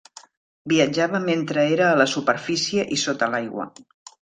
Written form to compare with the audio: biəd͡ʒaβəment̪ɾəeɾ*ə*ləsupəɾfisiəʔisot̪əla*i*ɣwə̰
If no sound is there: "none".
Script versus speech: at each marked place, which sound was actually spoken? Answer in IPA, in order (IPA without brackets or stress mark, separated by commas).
əː, j